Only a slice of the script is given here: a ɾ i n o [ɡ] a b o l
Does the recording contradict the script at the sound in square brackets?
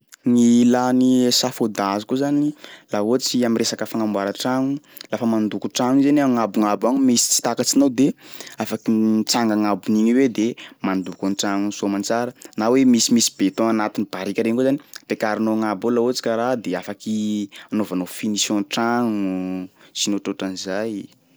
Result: yes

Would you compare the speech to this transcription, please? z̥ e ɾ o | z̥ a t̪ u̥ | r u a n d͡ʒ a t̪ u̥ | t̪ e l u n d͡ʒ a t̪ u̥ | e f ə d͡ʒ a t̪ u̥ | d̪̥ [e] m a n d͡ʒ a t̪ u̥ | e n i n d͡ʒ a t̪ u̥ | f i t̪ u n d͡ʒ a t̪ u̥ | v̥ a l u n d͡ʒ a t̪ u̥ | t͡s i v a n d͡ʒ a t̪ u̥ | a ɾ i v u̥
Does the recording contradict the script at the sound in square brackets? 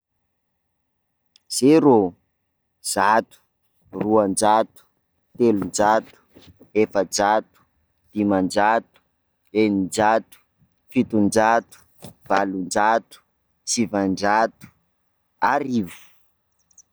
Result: yes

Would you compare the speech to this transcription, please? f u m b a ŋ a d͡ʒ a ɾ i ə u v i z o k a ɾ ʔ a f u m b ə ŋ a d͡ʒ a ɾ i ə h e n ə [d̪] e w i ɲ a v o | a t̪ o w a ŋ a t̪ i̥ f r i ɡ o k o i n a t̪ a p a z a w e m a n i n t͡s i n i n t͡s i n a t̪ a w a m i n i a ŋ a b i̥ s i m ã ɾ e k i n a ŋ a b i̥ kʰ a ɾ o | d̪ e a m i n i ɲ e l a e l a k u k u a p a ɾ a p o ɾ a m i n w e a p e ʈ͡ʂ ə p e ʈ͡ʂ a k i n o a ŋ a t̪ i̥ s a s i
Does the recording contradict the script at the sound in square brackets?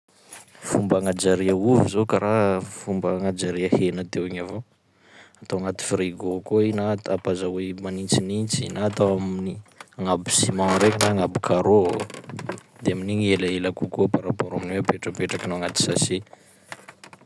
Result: yes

